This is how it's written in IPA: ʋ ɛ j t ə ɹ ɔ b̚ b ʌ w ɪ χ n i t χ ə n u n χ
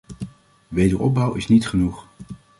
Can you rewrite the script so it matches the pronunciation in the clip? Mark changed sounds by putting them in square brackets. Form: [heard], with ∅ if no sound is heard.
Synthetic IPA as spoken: ʋ [e] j [d] ə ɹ ɔ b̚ b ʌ w ɪ [s] n i t χ ə n u [∅] χ